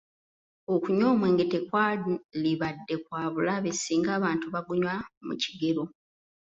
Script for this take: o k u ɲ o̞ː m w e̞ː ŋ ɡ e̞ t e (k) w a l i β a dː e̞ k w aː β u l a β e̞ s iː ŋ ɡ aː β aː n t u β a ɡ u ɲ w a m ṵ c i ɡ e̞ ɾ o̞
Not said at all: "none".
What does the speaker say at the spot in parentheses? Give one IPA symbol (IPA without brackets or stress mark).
k